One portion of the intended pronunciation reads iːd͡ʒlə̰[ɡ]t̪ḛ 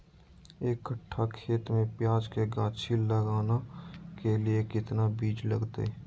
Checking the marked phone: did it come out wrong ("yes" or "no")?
no